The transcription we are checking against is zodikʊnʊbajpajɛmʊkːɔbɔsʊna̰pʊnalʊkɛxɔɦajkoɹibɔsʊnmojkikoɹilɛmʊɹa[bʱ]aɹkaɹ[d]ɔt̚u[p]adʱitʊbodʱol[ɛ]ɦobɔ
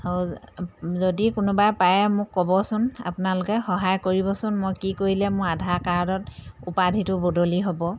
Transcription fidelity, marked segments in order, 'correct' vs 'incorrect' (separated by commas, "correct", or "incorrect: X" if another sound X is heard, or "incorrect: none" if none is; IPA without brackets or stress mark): incorrect: dʱ, correct, correct, incorrect: i